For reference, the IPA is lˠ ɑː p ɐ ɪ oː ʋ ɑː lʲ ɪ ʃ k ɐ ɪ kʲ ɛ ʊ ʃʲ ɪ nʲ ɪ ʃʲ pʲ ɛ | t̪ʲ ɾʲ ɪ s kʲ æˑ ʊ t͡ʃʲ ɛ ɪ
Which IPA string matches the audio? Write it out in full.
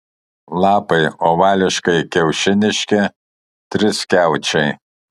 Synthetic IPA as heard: lˠ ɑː p ɐ ɪ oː ʋ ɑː lʲ ɪ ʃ k ɐ ɪ kʲ ɛ ʊ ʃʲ ɪ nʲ ɪ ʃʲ kʲ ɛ | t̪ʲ ɾʲ ɪ s kʲ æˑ ʊ t͡ʃʲ ɛ ɪ